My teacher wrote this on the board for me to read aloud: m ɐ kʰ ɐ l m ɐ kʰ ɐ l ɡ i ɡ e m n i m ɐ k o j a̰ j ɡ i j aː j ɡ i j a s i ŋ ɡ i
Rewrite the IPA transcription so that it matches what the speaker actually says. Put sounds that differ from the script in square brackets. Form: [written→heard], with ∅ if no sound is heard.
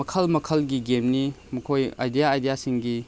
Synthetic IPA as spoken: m ɐ kʰ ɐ l m ɐ kʰ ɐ l ɡ i ɡ e m n i m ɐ [k→kʰ] o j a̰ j [ɡ→d] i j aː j [ɡ→d] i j a s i ŋ ɡ i

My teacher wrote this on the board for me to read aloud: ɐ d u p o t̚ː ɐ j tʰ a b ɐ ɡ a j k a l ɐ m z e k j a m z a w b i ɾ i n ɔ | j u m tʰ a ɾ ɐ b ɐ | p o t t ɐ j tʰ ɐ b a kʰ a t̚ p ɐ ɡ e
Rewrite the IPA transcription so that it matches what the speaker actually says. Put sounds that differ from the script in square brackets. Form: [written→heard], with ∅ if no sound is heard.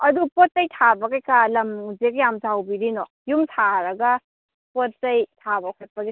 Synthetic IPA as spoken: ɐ d u p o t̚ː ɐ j tʰ a b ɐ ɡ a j k a l ɐ m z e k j a m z a w b i ɾ i n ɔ | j u m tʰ a ɾ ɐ [b→ɡ] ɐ | p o t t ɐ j tʰ [ɐ→a] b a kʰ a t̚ p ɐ ɡ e

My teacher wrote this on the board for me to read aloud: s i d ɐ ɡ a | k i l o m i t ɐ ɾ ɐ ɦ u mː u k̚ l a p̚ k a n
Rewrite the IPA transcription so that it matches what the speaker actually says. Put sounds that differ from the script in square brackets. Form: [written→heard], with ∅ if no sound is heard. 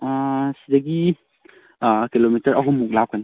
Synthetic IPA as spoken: s i d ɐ ɡ [a→i] | k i l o m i t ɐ ɾ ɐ ɦ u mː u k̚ l a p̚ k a n

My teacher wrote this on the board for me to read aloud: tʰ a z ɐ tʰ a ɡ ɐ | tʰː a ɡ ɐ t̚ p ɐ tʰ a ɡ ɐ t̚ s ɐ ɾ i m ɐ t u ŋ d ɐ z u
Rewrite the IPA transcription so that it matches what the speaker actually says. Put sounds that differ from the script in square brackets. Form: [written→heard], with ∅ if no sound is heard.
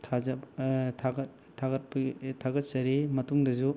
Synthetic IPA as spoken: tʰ a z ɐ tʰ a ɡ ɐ | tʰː a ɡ ɐ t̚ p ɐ tʰ a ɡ ɐ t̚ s ɐ ɾ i m ɐ t u ŋ d ɐ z u

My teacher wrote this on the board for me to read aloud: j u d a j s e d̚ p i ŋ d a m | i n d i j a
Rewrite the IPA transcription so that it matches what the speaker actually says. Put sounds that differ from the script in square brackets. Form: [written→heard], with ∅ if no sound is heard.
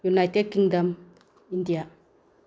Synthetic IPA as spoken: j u [d→n] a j [s→t] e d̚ [p→k] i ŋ d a m | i n d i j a

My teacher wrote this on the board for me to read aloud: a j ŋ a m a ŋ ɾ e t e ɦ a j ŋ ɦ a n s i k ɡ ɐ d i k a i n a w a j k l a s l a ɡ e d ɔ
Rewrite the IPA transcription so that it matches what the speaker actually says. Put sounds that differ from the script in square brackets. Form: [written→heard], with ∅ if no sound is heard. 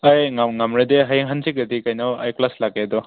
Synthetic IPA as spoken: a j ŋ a [m→ŋ] a [ŋ→m] ɾ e [t→d] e ɦ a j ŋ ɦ a n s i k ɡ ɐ d i k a [i→j] n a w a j k l a s l a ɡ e d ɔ

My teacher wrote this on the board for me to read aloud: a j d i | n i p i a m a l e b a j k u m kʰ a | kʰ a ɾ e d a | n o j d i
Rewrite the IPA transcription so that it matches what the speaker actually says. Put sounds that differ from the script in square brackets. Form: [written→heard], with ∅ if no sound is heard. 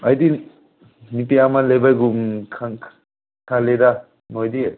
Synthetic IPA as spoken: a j d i | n i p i a m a l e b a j [k→ɡ] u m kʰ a | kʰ a [ɾ→l] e d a | n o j d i

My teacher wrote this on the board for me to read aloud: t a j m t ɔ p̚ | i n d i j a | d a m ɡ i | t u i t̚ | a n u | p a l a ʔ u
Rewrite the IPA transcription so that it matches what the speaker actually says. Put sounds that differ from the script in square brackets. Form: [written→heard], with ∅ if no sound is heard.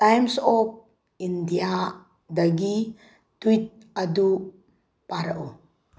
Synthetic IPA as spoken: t a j m [t→s] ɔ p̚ | i n d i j a | d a [m→∅] ɡ i | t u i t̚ | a [n→d] u | p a [l→ɾ] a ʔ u

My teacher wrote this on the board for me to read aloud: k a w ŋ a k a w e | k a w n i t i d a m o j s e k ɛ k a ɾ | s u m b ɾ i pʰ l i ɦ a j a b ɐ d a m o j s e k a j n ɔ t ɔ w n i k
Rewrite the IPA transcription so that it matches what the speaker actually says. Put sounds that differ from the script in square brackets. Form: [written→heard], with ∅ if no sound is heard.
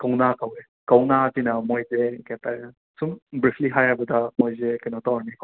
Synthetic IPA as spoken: k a w [ŋ→n] a k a w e | k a w n [i→a] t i [d→n] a m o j [s→z] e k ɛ [k→t] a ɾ | s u m b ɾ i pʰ l i ɦ a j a b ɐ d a m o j [s→z] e k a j n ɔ t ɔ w n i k

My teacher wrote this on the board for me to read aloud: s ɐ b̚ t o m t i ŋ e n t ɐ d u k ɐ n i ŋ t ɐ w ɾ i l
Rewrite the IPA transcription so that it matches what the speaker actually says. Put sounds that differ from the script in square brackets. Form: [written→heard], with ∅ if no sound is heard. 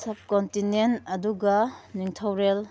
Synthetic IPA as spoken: s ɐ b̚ [t→k] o [m→n] t i [ŋ→n] e n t ɐ d u [k→ɡ] ɐ n i ŋ [t→tʰ] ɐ w ɾ [i→e] l

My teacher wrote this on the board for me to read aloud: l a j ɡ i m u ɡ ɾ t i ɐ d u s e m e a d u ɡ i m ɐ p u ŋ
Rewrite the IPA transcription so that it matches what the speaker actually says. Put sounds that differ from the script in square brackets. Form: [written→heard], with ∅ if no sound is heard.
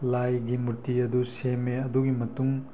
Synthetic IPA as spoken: l a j ɡ i m u [ɡ→∅] ɾ t i ɐ d u s e m e [a→ɐ] d u ɡ i m ɐ [p→t] u ŋ

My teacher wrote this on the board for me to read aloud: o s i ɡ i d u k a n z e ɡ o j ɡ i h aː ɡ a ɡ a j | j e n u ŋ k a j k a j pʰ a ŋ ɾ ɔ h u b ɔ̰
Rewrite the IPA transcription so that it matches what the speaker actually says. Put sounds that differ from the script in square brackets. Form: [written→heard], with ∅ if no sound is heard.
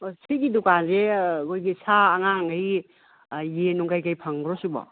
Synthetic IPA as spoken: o s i ɡ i d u k a n z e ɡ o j ɡ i [h→s] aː [ɡ→ŋ] a [ɡ→ŋ] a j | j e n u ŋ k a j k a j pʰ a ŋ ɾ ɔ [h→s] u b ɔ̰

